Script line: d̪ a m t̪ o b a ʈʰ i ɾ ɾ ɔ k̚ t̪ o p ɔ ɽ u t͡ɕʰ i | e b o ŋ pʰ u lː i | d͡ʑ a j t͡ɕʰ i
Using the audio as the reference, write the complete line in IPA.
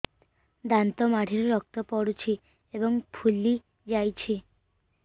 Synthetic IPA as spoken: d̪ a n t̪ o m a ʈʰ i ɾ ɾ ɔ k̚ t̪ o p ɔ ɽ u t͡ɕʰ i | e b o ŋ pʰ u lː i | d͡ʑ a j t͡ɕʰ i